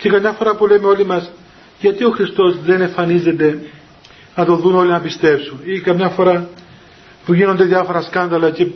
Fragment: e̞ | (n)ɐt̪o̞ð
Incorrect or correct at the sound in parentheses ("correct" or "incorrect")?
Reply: correct